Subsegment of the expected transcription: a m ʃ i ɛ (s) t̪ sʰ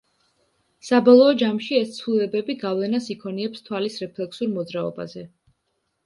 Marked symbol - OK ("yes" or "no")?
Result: yes